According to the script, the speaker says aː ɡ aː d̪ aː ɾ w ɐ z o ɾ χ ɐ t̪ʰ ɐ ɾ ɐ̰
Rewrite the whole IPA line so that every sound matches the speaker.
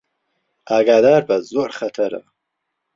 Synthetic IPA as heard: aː ɡ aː d̪ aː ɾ b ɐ z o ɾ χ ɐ t̪ʰ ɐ ɾ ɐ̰